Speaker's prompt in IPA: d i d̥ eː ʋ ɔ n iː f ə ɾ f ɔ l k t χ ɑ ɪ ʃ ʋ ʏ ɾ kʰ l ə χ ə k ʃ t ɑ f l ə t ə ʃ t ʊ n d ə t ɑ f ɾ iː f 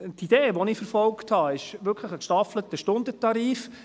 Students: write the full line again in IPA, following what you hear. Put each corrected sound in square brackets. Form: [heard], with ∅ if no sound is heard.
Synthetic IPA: [t] i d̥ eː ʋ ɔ n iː f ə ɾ f ɔ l k t [h] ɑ ɪ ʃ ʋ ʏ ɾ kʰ l ə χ ə k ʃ t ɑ f l ə t ə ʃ t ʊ n d ə t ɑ [∅] ɾ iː f